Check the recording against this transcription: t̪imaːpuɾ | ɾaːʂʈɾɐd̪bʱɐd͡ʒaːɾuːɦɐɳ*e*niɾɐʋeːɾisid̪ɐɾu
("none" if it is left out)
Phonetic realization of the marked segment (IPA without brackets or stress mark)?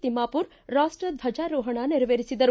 a